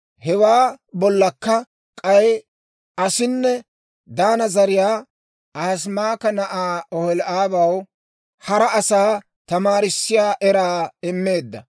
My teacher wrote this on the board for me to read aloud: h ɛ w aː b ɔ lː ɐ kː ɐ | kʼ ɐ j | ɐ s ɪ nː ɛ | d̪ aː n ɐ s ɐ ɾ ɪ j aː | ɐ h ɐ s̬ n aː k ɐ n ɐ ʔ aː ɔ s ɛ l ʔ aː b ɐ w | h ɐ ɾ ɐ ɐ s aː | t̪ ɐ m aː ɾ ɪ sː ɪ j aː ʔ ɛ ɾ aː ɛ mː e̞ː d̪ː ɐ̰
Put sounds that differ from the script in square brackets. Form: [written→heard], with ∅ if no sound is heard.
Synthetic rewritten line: h ɛ w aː b ɔ lː ɐ kː ɐ | kʼ ɐ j | ɐ s ɪ nː ɛ | d̪ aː n ɐ [s→z] ɐ ɾ ɪ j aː | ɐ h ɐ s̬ [n→m] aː k ɐ n ɐ ʔ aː ɔ [s→h] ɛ l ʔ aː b ɐ w | h ɐ ɾ ɐ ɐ s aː | t̪ ɐ m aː ɾ ɪ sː ɪ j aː ʔ ɛ ɾ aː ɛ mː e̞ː d̪ː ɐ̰

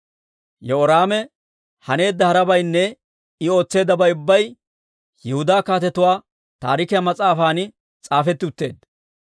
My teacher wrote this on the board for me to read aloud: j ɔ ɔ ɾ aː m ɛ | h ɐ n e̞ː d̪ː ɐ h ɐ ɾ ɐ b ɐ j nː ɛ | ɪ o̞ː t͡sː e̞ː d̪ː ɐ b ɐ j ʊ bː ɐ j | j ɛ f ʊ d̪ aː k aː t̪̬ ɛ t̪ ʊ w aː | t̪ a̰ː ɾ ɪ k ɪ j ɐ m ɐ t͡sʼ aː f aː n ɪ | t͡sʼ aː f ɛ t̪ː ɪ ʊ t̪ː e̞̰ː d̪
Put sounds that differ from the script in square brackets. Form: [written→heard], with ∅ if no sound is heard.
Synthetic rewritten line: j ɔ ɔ ɾ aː m ɛ | h ɐ n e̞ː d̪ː ɐ h ɐ ɾ ɐ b ɐ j nː ɛ | ɪ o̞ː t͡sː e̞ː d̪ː ɐ b ɐ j ʊ bː ɐ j | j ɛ [f→h] ʊ d̪ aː k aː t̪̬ ɛ t̪ ʊ w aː | t̪ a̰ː ɾ ɪ k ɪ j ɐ m ɐ t͡sʼ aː f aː n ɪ | t͡sʼ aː f ɛ t̪ː ɪ ʊ t̪ː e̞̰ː d̪

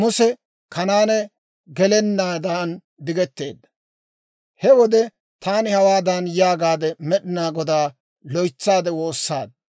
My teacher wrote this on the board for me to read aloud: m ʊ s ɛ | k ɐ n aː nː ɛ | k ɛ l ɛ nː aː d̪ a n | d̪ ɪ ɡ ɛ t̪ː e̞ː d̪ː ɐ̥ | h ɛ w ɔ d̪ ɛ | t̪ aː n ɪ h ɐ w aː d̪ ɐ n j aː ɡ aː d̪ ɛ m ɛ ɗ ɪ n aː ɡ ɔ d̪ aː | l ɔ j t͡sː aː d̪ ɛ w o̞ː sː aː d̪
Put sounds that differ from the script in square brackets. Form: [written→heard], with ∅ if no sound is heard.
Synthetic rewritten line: m ʊ s ɛ | k ɐ n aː [nː→n] ɛ | [k→ɡ] ɛ l ɛ nː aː d̪ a n | d̪ ɪ ɡ ɛ t̪ː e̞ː d̪ː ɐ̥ | h ɛ w ɔ d̪ ɛ | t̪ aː n ɪ h ɐ w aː d̪ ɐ n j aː ɡ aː d̪ ɛ m ɛ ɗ ɪ n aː ɡ ɔ d̪ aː | l ɔ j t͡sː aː d̪ ɛ w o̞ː sː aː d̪

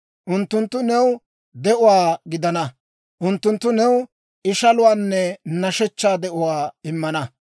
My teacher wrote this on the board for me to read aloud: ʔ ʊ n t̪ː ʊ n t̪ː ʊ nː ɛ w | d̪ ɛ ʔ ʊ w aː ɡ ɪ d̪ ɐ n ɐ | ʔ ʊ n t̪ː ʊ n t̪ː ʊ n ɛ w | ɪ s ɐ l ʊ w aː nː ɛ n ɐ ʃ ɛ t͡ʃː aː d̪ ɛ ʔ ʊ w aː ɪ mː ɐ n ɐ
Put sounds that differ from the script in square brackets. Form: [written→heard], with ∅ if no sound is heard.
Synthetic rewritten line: ʔ ʊ n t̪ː ʊ n t̪ː ʊ [nː→n] ɛ w | d̪ ɛ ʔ ʊ w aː ɡ ɪ d̪ ɐ n ɐ | ʔ ʊ n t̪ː ʊ n t̪ː ʊ n ɛ w | ɪ [s→ʃ] ɐ l ʊ w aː nː ɛ n ɐ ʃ ɛ t͡ʃː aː d̪ ɛ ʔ ʊ w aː ɪ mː ɐ n ɐ

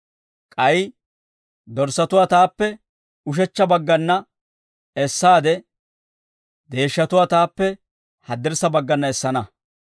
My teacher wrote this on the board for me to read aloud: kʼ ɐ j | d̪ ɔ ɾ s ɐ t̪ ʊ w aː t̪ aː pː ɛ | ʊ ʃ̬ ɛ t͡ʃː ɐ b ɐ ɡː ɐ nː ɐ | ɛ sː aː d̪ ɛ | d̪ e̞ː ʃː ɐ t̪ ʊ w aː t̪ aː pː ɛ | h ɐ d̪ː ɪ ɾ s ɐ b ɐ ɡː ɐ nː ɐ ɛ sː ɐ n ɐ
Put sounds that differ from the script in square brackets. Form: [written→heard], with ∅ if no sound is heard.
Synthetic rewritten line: kʼ ɐ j | d̪ ɔ ɾ s ɐ t̪ ʊ w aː t̪ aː pː ɛ | ʊ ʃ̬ ɛ t͡ʃː ɐ b ɐ ɡː ɐ nː ɐ | ɛ sː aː d̪ ɛ | d̪ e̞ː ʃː ɐ t̪ ʊ w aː t̪ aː pː ɛ | h ɐ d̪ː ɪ ɾ s ɐ b ɐ ɡː ɐ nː ɐ ɛ sː ɐ n ɐ

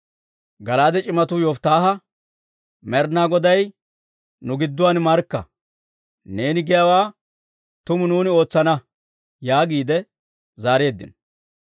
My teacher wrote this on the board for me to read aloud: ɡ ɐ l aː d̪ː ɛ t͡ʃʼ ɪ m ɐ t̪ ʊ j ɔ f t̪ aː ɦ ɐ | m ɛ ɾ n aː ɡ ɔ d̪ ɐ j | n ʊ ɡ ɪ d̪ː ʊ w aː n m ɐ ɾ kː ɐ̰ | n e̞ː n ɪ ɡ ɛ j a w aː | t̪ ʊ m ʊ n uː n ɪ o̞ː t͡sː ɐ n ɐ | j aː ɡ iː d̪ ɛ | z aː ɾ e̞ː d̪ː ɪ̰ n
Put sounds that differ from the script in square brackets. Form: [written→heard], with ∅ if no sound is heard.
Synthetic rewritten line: ɡ ɐ l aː [d̪ː→d̪] ɛ t͡ʃʼ ɪ m ɐ t̪ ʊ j ɔ f t̪ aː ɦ ɐ | m ɛ ɾ n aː ɡ ɔ d̪ ɐ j | n ʊ ɡ ɪ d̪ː ʊ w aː n m ɐ ɾ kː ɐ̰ | n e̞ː n ɪ ɡ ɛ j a w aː | t̪ ʊ m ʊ n uː n ɪ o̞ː t͡sː ɐ n ɐ | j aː ɡ iː d̪ ɛ | z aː ɾ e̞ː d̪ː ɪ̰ n

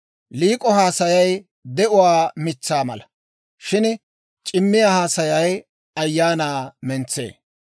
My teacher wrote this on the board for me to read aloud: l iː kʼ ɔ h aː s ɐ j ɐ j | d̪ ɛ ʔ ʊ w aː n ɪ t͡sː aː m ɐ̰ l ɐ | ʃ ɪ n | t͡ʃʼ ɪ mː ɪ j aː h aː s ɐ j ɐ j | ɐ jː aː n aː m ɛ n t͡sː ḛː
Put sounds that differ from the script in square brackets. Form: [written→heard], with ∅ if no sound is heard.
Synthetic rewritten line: l iː kʼ ɔ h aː s ɐ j ɐ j | d̪ ɛ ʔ ʊ w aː [n→m] ɪ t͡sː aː m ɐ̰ l ɐ | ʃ ɪ n | t͡ʃʼ ɪ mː ɪ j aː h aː s ɐ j ɐ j | ɐ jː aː n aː m ɛ n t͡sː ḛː

